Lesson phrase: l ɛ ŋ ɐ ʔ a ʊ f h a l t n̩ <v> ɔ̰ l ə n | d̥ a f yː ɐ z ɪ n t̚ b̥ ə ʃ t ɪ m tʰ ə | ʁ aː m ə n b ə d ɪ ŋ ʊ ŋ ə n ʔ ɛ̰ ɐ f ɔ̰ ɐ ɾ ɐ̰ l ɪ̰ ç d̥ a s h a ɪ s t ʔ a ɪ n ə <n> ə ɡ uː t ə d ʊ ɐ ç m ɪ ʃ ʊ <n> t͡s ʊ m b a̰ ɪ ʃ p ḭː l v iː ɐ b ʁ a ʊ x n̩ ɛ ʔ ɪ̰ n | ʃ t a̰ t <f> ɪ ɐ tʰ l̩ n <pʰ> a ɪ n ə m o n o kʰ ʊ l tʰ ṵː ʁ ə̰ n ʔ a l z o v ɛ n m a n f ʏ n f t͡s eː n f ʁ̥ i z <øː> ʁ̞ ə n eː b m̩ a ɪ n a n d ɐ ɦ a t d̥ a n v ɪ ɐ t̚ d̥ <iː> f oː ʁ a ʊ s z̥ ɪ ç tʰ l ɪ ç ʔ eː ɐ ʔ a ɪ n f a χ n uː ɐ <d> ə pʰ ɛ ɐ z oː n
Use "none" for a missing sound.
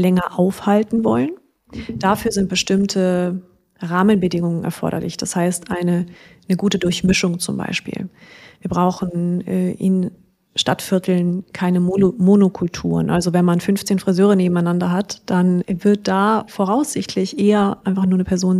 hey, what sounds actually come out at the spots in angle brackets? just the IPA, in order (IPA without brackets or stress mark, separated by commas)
v, n, ŋ, f, kʰ, øː, aː, n